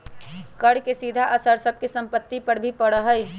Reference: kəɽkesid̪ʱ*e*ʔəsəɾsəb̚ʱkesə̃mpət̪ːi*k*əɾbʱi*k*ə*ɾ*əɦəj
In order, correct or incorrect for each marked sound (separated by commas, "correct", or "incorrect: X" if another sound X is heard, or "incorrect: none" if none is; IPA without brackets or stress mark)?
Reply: incorrect: a, incorrect: p, incorrect: p, incorrect: ɽ